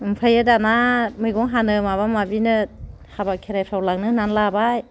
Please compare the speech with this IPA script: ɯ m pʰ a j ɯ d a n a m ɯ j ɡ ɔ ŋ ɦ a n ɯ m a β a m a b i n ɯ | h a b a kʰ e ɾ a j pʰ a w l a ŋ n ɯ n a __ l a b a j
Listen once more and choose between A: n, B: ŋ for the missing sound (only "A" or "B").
A